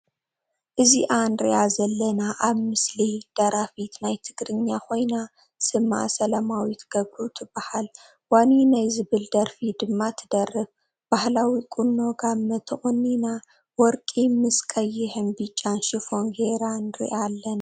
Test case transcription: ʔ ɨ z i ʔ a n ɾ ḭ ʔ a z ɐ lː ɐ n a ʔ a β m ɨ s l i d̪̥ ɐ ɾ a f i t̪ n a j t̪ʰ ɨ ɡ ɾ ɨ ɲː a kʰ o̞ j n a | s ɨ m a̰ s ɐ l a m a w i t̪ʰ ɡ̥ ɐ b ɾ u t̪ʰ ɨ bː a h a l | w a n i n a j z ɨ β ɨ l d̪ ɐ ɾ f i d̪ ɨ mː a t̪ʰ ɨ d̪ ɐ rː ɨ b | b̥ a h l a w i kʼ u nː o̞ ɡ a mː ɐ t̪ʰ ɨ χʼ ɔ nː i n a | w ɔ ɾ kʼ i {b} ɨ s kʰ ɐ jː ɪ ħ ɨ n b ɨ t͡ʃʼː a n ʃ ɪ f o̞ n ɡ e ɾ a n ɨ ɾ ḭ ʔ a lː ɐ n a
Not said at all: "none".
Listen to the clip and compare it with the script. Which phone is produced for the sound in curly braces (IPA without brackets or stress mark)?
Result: m